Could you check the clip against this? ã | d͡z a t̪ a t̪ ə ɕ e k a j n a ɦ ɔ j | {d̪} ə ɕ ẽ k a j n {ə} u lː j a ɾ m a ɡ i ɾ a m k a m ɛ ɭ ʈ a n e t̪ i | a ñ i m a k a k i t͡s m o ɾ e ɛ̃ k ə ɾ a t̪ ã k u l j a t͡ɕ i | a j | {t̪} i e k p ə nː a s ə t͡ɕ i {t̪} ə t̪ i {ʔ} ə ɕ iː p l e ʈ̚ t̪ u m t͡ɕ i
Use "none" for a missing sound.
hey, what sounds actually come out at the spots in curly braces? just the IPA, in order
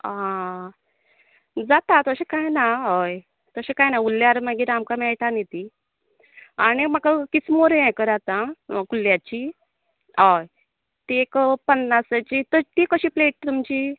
t̪, a, t̪, t̪, k

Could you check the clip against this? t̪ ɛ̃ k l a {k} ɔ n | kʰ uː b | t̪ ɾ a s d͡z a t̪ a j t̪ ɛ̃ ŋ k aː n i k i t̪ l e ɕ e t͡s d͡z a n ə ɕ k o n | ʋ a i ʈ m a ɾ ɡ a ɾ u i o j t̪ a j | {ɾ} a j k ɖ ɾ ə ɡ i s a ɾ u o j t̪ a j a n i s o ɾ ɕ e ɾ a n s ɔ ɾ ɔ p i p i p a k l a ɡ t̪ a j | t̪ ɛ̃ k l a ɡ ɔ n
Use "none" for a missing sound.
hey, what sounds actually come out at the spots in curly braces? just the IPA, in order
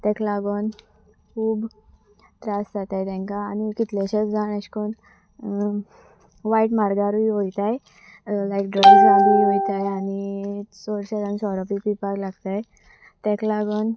ɡ, l

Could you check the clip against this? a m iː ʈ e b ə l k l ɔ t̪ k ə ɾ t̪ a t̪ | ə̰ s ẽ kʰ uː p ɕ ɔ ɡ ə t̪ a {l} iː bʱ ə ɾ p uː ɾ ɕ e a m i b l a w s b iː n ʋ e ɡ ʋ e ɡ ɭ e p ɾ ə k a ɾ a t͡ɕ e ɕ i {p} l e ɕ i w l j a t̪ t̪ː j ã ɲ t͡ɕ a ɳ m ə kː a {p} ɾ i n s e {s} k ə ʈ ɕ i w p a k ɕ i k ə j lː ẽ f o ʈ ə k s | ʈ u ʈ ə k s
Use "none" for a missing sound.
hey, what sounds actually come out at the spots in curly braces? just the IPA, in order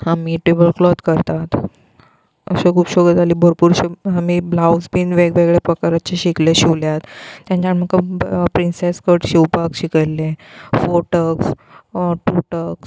l, k, p, s

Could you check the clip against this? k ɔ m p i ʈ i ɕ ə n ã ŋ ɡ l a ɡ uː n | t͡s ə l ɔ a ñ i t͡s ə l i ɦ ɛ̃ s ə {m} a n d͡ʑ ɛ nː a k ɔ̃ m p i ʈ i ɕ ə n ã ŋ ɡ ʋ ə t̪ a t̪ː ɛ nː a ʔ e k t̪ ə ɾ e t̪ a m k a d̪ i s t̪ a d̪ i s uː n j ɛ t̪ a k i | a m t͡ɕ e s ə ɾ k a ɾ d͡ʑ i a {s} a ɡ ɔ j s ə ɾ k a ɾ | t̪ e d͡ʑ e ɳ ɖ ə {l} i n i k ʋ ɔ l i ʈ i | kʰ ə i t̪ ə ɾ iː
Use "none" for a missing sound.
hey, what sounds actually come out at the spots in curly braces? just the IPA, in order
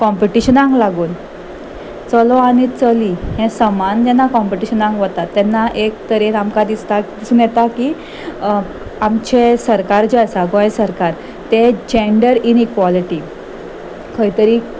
m, s, ɾ

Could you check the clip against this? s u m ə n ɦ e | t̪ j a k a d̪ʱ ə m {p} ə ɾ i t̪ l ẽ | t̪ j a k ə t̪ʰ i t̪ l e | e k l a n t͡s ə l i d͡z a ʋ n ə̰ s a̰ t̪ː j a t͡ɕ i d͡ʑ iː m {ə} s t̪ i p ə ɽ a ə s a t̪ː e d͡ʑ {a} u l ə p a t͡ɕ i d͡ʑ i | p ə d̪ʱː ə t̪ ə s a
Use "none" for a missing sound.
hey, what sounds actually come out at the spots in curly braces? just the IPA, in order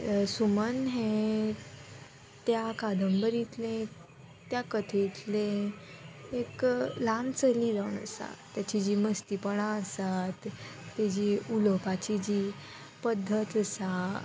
b, ə, i

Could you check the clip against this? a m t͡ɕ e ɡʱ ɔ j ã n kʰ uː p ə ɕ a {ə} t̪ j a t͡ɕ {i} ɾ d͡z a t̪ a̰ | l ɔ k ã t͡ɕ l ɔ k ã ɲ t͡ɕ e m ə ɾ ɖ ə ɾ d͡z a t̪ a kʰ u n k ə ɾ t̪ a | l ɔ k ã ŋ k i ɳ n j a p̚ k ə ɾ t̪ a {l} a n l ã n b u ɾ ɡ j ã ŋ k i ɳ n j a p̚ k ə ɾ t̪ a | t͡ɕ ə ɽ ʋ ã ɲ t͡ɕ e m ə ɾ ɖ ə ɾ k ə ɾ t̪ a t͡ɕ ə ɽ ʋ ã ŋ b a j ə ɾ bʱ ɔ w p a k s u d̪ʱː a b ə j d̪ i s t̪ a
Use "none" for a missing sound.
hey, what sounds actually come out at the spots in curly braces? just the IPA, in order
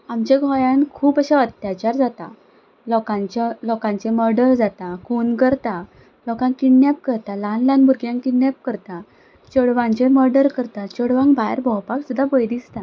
ə, a, l

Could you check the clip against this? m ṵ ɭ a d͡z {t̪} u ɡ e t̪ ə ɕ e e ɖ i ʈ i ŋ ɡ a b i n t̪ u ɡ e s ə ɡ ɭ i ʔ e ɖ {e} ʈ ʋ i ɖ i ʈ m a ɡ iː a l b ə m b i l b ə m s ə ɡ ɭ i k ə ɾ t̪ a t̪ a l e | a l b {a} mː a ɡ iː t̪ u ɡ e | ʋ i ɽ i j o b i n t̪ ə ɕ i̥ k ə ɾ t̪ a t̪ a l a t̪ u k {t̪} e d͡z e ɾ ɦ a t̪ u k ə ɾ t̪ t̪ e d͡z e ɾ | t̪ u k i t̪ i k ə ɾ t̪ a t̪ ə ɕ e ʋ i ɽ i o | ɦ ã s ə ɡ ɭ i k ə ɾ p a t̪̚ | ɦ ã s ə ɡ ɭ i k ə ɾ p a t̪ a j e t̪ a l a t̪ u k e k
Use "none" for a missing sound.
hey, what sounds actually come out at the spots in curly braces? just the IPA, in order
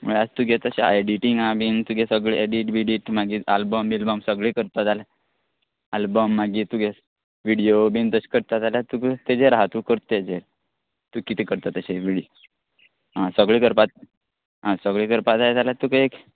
t̪, i, ə, t̪

